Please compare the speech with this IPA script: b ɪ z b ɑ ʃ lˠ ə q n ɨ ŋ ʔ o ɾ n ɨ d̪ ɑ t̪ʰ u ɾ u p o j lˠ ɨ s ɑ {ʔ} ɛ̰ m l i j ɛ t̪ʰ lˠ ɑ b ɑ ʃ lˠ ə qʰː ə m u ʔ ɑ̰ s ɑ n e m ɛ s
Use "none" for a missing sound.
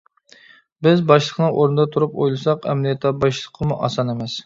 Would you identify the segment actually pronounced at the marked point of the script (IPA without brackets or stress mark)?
q